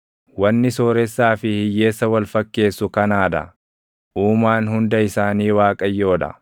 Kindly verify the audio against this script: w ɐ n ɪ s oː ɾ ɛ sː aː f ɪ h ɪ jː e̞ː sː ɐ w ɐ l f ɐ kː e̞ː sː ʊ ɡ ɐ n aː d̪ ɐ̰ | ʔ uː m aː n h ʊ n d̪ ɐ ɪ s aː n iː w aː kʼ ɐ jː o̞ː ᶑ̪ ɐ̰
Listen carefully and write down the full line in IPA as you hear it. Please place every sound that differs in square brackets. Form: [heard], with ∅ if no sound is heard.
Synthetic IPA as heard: w ɐ [nː] ɪ s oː ɾ ɛ sː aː f ɪ h ɪ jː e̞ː sː ɐ w ɐ l f ɐ kː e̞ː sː ʊ [k] ɐ n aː d̪ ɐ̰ | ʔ uː m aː n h ʊ n d̪ ɐ ɪ s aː n iː w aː kʼ ɐ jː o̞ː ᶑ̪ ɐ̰